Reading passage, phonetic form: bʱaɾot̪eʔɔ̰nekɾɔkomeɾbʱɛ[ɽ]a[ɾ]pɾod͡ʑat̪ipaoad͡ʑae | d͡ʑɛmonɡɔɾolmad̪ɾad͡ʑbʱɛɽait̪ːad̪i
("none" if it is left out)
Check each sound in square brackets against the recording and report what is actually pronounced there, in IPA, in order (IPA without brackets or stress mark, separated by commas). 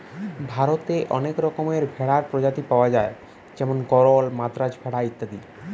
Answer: ɽ, ɾ